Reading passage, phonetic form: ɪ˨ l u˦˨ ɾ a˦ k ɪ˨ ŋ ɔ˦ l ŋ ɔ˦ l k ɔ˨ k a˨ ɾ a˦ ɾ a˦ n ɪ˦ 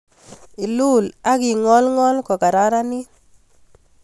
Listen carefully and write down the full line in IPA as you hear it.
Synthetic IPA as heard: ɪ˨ l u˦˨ l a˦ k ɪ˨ ŋ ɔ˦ l ŋ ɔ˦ l k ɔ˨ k a˨ ɾ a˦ ɾ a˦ n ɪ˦

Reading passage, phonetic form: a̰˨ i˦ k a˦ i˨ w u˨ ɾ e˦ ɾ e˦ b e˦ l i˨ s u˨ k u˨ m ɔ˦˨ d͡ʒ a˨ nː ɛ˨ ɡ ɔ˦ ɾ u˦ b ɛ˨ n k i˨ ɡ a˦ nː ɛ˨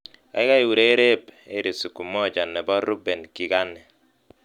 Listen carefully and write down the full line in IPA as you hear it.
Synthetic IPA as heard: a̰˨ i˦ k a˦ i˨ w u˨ ɾ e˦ ɾ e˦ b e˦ ɾ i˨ s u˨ k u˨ m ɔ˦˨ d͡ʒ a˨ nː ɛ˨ b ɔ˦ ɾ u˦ b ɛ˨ n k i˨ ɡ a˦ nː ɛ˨

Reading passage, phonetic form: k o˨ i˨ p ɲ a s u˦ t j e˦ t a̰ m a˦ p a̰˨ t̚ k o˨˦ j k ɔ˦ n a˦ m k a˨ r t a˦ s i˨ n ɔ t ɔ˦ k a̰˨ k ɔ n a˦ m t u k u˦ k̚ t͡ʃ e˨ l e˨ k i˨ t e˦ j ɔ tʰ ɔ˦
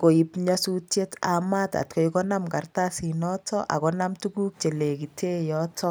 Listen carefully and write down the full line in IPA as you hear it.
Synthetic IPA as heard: k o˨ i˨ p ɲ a s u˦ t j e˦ t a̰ m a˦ t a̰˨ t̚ k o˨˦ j k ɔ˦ n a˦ m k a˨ r t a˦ s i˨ n ɔ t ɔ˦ ʔ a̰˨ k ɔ n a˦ m t u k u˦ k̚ t͡ʃ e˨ l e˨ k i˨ t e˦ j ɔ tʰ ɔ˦

